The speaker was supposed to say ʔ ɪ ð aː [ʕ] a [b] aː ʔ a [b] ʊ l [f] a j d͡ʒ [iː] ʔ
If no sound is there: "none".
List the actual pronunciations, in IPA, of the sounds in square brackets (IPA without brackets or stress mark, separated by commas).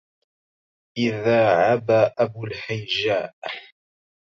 ʕ, b, b, ħ, aː